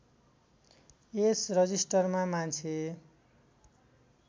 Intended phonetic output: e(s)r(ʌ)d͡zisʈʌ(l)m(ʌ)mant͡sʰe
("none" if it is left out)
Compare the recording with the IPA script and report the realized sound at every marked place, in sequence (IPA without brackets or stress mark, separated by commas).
s, ʌ, r, a